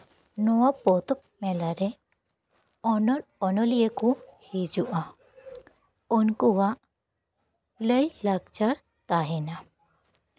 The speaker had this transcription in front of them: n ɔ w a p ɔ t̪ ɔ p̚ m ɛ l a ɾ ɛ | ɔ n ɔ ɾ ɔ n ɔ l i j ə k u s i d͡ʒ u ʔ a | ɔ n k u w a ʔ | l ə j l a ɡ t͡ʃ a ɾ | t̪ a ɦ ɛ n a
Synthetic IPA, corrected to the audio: n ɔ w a p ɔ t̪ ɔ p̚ m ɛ l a ɾ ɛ | ɔ n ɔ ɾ ɔ n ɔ l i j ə k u h i d͡ʒ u ʔ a | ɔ n k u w a ʔ | l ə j l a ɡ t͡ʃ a ɾ | t̪ a ɦ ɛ n a